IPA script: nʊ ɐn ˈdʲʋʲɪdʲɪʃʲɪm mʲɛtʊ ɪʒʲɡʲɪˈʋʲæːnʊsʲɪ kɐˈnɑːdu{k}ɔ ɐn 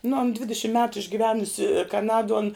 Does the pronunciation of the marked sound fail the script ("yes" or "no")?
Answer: yes